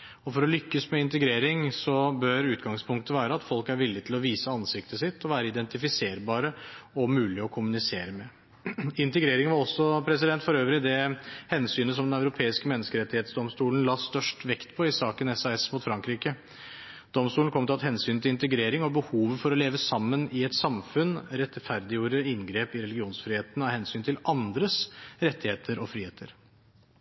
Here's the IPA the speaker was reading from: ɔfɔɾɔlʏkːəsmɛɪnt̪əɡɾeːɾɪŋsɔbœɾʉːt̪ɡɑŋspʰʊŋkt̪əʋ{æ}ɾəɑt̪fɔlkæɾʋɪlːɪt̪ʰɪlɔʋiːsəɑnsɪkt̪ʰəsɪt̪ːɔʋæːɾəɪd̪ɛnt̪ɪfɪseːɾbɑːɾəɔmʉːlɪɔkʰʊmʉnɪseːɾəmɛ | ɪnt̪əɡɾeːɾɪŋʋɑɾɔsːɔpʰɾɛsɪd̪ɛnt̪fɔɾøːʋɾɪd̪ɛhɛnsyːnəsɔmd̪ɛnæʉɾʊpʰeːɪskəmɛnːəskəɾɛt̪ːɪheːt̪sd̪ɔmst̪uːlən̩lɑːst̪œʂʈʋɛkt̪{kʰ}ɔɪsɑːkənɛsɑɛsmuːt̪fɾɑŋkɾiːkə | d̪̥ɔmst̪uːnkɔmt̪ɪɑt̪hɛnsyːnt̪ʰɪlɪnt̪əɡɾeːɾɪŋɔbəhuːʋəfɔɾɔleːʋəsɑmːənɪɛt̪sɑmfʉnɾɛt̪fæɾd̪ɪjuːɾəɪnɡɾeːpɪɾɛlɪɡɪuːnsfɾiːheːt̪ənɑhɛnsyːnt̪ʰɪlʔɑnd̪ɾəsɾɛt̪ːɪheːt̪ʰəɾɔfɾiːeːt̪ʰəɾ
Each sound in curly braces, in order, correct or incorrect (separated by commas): incorrect, incorrect